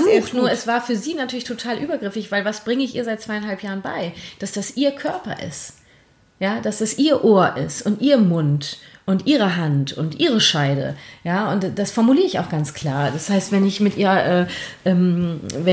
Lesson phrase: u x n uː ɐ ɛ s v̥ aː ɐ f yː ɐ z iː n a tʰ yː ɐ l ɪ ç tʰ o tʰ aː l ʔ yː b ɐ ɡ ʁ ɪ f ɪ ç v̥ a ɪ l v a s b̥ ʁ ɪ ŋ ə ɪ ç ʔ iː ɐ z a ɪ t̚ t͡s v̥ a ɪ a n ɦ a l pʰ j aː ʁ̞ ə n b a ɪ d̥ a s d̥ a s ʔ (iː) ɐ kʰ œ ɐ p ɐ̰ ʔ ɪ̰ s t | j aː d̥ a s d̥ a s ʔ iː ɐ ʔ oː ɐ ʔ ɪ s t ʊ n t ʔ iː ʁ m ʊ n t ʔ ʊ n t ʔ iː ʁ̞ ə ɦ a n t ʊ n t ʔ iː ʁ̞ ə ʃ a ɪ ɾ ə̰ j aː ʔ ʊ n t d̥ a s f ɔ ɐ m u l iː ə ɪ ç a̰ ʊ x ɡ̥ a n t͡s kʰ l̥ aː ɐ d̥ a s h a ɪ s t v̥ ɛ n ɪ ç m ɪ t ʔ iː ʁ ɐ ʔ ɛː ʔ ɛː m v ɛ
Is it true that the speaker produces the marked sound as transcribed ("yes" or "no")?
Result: yes